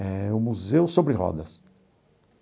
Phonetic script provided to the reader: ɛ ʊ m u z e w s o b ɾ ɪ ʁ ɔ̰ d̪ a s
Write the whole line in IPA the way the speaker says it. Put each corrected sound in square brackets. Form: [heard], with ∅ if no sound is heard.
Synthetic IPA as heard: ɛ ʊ m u z e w s o b ɾ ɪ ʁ ɔ̰ d̪ [ɐ] s

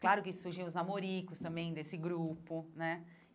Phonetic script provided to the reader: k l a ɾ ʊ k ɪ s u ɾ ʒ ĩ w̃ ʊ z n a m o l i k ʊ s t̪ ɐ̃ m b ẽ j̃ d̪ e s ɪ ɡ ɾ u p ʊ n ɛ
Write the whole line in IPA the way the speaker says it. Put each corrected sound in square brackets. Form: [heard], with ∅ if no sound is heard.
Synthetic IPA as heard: k l a ɾ ʊ k ɪ s u ɾ ʒ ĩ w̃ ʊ z n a m o [ɾ] i k ʊ s t̪ ɐ̃ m b ẽ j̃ d̪ e s ɪ ɡ ɾ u p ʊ n ɛ

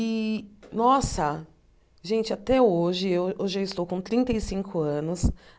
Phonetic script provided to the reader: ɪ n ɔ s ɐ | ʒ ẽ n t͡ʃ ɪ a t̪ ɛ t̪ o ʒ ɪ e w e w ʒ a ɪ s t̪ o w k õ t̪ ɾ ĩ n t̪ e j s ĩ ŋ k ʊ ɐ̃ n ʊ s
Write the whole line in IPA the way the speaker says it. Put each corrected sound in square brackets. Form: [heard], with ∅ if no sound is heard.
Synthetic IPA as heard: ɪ n ɔ s ɐ | ʒ ẽ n t͡ʃ ɪ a t̪ ɛ [∅] o ʒ ɪ e w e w ʒ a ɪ s t̪ o w k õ t̪ ɾ ĩ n t̪ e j s ĩ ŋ k ʊ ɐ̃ n ʊ s

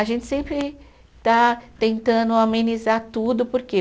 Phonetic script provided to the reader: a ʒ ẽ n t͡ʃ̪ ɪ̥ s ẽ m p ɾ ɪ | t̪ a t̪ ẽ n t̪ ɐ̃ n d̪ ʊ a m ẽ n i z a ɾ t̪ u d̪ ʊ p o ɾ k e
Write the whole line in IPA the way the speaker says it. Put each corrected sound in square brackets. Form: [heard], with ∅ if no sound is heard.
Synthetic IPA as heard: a ʒ ẽ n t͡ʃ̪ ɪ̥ s ẽ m p ɾ ɪ | t̪ a t̪ ẽ n t̪ ɐ̃ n d̪ ʊ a m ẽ n i z a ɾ t̪ u d̪ ʊ p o ɾ k e

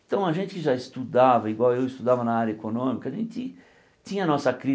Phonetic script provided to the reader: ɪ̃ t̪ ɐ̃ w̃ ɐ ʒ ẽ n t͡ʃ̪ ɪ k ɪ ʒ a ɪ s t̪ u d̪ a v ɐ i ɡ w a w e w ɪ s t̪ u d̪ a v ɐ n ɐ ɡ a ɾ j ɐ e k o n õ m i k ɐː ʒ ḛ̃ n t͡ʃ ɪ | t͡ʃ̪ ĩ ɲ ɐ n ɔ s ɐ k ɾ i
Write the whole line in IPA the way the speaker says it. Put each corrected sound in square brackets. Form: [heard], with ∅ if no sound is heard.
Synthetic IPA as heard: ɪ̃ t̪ ɐ̃ w̃ ɐ ʒ ẽ n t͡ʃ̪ ɪ k ɪ ʒ a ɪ s t̪ u d̪ a v ɐ i ɡ w a w e w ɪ s t̪ u d̪ a v ɐ n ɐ [∅] a ɾ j ɐ e k o n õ m i k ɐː ʒ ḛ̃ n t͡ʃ ɪ | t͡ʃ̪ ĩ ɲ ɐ n ɔ s ɐ k ɾ i

